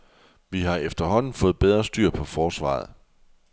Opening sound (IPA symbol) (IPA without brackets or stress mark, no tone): ʋ